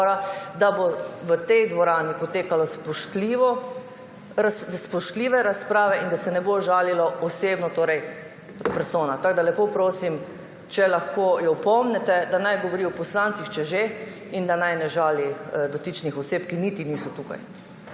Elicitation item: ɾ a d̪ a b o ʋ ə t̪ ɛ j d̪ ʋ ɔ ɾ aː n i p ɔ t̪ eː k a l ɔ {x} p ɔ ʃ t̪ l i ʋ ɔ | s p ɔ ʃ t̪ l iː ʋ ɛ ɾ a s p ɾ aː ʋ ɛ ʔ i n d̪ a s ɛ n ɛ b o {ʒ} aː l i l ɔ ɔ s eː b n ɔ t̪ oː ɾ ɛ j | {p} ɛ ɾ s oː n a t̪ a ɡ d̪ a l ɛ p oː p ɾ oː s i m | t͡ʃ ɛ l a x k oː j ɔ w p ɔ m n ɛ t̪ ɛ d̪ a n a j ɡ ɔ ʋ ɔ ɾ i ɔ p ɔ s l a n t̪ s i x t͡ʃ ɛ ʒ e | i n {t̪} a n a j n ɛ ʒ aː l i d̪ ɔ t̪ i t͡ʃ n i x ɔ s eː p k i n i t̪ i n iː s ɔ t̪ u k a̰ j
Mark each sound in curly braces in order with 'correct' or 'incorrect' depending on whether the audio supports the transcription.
incorrect: s, correct, correct, incorrect: d̪

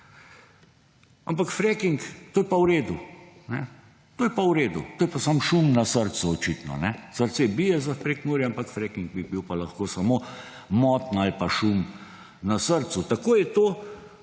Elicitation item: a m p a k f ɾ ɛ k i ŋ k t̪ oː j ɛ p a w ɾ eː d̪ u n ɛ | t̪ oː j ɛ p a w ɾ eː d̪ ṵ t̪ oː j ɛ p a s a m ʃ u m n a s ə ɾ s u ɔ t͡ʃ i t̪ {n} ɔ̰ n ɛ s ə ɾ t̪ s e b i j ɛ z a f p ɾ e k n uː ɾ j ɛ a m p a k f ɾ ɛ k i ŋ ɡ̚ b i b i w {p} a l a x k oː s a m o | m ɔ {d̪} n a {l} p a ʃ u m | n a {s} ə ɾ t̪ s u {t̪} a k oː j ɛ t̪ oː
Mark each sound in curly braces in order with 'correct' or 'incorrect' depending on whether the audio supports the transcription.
correct, correct, incorrect: t̪, correct, correct, correct

